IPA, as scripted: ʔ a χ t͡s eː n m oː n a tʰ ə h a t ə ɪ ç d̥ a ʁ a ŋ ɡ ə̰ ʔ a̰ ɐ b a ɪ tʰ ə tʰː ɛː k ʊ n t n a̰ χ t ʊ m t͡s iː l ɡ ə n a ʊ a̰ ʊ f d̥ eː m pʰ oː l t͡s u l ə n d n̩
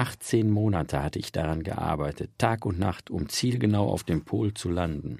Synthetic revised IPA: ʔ a χ t͡s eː n m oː n a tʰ ə h a t ə ɪ ç d̥ a ʁ a n ɡ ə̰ ʔ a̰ ɐ b a ɪ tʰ ə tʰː aː k ʊ n t n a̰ χ t ʊ m t͡s iː l ɡ ə n a ʊ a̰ ʊ f d̥ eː m pʰ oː l t͡s u l a n d n̩